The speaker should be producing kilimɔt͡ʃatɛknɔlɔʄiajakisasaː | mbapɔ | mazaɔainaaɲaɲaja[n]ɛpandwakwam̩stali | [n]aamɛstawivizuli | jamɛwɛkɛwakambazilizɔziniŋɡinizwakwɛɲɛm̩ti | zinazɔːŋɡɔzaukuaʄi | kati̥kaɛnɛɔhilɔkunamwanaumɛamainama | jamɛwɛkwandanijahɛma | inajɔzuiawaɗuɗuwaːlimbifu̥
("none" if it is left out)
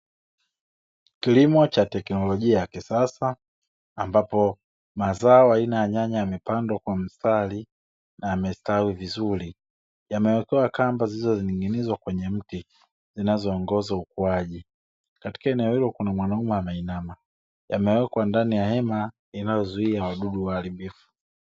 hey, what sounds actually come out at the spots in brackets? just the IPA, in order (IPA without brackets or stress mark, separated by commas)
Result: m, n